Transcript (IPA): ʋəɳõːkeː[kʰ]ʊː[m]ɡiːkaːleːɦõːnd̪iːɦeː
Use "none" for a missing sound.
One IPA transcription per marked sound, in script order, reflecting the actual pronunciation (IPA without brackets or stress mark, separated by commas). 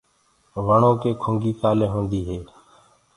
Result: kʰ, ŋ